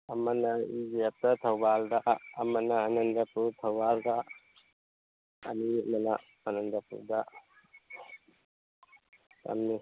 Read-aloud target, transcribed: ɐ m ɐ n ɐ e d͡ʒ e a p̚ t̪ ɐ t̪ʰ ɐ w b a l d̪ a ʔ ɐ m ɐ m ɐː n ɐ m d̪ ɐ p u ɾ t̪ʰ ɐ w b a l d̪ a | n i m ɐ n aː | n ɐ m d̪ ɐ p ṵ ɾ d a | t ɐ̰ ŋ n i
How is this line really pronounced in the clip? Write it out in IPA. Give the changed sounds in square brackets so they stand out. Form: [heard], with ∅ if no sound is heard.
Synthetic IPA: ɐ m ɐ n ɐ [i] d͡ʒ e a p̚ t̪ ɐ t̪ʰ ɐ w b a l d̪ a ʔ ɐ m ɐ [n] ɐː n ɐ [n] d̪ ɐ p u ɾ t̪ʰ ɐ w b a l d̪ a | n i m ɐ n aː | n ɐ [n] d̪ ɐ p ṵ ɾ d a | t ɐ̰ [m] n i